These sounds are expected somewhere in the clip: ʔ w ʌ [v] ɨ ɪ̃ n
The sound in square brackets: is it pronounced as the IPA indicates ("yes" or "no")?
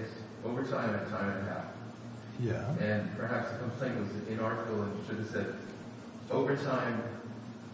no